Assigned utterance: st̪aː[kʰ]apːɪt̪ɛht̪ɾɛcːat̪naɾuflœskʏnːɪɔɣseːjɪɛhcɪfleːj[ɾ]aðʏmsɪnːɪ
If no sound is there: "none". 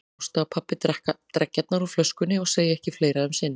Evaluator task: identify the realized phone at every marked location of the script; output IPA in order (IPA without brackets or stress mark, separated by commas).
pʰ, ɾ